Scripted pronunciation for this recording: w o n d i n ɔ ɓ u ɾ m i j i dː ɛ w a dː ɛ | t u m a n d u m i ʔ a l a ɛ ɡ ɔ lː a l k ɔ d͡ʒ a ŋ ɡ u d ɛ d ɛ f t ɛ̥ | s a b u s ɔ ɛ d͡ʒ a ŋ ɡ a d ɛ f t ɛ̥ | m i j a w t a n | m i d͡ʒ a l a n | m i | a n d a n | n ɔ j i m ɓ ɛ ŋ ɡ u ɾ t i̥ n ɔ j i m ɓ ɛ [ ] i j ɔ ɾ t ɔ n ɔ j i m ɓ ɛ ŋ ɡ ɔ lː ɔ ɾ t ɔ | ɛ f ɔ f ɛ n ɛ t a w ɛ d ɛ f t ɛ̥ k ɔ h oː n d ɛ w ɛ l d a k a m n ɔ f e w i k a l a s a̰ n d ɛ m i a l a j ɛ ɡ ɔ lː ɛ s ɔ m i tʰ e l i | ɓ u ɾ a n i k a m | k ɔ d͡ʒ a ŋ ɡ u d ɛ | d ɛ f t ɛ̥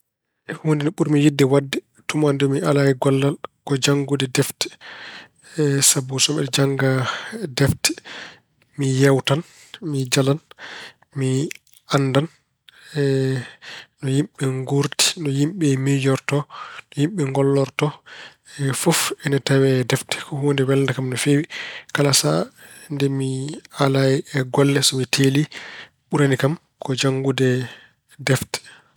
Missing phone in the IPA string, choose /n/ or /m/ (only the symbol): m